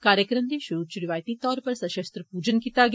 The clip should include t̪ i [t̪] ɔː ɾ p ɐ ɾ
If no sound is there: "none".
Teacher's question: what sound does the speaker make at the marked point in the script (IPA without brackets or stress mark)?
t̪